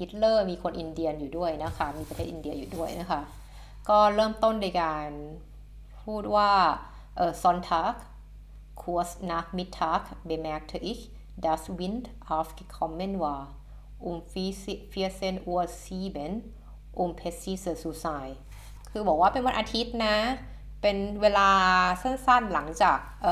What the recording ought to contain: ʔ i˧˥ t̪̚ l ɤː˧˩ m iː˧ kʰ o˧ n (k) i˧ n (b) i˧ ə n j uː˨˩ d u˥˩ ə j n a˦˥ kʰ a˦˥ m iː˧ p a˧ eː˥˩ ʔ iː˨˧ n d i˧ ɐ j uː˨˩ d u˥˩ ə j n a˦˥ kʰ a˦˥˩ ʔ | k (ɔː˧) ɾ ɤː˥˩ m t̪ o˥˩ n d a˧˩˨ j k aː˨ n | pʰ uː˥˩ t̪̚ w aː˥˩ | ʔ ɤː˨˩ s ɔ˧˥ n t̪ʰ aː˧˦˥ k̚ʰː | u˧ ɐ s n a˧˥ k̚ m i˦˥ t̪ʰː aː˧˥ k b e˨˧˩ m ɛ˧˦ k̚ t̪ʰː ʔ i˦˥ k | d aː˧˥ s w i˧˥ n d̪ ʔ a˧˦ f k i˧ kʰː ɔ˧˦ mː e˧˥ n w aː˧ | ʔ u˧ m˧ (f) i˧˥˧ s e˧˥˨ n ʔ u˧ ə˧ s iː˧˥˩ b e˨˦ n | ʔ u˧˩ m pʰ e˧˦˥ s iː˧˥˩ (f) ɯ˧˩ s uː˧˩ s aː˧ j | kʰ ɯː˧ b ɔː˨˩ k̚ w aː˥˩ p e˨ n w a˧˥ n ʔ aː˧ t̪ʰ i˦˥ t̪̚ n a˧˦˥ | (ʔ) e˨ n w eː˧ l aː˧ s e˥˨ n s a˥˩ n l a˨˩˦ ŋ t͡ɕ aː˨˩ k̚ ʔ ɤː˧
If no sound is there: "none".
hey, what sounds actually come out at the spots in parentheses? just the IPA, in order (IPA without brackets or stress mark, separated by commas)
ʔ, d, ɔː˥˩, f, s, p